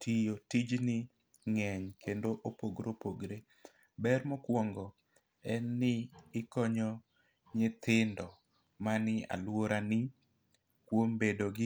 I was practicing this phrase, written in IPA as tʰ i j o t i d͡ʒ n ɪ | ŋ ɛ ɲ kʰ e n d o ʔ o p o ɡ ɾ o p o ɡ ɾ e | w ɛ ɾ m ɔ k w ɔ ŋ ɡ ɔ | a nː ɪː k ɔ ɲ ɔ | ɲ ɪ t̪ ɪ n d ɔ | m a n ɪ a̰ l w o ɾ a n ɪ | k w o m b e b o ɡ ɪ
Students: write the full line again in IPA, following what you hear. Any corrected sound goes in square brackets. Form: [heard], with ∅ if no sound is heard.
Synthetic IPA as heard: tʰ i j o t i d͡ʒ n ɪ | ŋ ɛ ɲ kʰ e n d o ʔ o p o ɡ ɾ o p o ɡ ɾ e | [b] ɛ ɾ m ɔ k w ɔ ŋ ɡ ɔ | [ɛ] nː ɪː k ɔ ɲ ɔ | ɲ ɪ t̪ ɪ n d ɔ | m a n ɪ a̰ l w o ɾ a n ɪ | k w o m b e [d] o ɡ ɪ